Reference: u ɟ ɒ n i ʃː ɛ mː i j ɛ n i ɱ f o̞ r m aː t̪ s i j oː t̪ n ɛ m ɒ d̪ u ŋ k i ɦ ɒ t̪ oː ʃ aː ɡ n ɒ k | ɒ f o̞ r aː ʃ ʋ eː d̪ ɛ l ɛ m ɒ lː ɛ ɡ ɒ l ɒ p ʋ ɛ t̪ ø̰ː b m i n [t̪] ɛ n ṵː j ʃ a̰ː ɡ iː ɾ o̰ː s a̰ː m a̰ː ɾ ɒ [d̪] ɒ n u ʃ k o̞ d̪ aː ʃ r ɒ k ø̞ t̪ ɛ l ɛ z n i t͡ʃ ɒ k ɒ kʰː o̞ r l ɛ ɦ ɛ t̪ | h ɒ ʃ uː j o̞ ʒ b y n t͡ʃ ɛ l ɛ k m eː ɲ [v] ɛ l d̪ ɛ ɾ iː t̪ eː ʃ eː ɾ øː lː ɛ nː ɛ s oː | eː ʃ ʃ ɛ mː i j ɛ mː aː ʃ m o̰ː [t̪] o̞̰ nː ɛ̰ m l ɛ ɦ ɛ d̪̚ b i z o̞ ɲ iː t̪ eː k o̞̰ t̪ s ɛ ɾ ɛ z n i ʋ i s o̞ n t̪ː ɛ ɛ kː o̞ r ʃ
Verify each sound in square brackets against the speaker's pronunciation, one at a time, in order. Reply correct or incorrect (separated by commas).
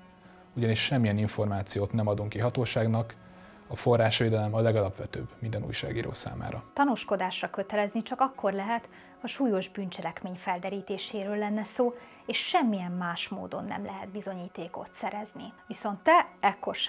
incorrect, incorrect, incorrect, incorrect